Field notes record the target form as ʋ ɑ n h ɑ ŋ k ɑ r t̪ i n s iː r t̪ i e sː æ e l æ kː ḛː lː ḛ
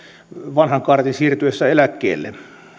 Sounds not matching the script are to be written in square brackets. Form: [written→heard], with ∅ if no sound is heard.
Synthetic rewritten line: ʋ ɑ n h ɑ ŋ k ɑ r t̪ i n s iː r t̪ [i→y] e sː æ e l æ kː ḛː lː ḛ